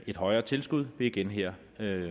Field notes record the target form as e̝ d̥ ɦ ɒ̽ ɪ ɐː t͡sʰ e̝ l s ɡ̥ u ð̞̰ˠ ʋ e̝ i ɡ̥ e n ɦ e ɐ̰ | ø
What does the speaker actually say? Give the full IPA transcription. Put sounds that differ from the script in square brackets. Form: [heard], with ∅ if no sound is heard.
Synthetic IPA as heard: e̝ d̥ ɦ ɒ̽ ɪ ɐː t͡sʰ e̝ l s ɡ̥ u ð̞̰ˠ ʋ e̝ i ɡ̥ e n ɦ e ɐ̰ | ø